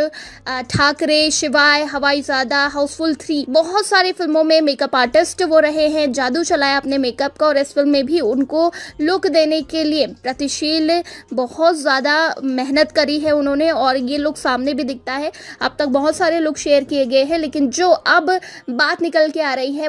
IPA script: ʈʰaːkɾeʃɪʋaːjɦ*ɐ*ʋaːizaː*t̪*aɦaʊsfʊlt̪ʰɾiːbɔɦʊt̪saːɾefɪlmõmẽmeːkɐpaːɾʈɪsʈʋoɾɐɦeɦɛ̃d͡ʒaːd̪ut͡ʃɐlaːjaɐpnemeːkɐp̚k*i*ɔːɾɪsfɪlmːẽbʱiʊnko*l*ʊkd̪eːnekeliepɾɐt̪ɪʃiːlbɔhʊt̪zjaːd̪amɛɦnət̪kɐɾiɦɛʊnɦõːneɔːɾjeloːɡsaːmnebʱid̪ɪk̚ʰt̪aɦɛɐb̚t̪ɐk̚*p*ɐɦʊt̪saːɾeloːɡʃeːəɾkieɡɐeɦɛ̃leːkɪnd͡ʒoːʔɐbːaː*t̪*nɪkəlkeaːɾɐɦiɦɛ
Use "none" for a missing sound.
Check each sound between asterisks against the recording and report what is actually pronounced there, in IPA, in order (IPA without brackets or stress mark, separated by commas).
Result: ɐ, d̪, a, l, b, t̪